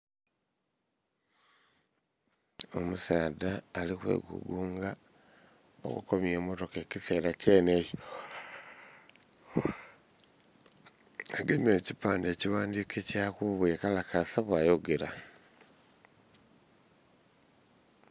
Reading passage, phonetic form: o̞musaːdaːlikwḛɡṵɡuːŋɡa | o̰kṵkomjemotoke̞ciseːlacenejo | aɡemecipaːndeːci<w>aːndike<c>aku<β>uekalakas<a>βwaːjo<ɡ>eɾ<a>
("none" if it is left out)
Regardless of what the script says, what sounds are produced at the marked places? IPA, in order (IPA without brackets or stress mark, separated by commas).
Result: w, c, β, a, ɡ, a